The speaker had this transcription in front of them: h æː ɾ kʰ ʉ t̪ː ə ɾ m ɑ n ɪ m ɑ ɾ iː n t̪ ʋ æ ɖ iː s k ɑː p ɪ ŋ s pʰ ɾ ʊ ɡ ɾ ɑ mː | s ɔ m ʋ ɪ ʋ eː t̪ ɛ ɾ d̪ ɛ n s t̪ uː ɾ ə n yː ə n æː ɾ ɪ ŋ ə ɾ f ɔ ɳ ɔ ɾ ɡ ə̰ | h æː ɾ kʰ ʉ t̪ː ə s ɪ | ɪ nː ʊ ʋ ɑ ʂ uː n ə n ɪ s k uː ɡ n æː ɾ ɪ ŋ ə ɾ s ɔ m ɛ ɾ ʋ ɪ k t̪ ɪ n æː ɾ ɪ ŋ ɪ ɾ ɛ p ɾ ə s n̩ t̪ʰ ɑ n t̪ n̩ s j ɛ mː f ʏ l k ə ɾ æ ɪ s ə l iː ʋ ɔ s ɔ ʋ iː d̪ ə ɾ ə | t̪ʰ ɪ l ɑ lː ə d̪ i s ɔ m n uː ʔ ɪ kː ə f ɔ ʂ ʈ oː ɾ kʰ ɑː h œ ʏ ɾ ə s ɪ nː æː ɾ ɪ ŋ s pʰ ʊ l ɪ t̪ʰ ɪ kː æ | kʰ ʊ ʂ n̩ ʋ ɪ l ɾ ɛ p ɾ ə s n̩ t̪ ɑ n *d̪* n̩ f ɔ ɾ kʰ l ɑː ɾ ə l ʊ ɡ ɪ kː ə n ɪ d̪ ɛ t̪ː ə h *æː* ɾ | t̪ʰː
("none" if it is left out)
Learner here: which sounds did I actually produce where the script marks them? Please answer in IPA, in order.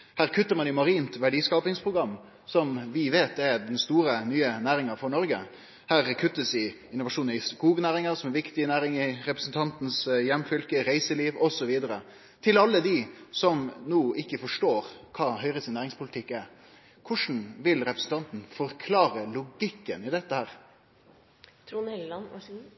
t̪, æː

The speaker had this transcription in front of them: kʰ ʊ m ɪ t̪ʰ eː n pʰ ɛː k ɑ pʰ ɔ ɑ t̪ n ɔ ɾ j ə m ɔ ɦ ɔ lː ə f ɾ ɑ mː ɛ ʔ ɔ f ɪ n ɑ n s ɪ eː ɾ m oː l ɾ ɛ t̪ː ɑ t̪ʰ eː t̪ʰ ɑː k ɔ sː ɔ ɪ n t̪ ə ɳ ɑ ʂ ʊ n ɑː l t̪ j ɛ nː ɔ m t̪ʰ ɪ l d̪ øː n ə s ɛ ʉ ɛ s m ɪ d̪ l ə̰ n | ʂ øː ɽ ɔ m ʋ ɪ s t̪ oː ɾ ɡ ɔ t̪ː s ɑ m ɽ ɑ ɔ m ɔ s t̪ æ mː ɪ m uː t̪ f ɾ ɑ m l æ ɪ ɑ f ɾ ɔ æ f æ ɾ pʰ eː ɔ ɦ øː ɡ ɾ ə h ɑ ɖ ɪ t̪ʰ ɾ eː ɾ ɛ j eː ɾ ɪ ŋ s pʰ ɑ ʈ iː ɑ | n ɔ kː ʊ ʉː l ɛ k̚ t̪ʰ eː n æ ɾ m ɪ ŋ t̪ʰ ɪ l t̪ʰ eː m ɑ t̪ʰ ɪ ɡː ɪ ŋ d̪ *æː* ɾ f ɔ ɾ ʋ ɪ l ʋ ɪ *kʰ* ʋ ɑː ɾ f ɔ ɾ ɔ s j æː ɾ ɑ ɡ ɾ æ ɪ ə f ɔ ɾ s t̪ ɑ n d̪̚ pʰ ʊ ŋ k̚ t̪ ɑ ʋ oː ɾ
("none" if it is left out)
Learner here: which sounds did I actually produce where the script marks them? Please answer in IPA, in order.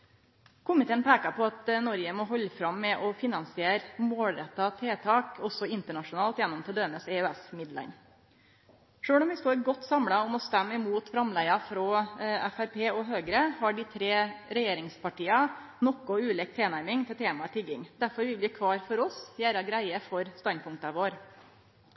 æ, kʰ

